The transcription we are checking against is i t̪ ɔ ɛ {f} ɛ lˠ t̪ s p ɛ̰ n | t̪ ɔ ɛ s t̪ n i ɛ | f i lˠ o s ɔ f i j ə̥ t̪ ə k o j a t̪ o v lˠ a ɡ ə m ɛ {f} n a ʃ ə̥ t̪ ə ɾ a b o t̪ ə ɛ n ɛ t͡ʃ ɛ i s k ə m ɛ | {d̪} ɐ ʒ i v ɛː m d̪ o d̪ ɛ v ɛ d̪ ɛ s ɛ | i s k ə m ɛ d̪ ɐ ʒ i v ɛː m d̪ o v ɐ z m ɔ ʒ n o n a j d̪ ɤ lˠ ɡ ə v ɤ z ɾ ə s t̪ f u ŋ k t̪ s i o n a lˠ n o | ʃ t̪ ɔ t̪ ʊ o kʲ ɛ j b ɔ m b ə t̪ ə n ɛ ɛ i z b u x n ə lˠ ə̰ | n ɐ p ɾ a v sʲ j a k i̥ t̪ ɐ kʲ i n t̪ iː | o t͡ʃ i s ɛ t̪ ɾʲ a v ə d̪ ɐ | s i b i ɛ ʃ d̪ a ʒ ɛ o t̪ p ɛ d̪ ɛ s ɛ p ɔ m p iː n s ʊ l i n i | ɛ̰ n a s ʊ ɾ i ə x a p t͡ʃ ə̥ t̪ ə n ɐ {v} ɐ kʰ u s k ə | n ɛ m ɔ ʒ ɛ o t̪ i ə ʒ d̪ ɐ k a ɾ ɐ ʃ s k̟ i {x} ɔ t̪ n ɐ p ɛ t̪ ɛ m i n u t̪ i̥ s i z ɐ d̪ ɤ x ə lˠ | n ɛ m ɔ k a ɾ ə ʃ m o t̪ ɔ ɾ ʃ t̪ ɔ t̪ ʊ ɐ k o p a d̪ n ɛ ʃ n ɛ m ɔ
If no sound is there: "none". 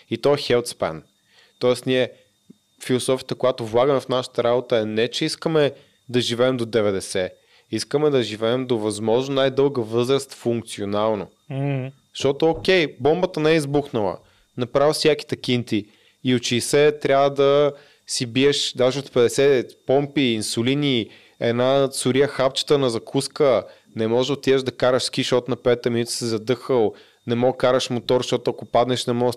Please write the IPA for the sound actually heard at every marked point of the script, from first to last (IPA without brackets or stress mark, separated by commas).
x, f, d̪, z, ʃ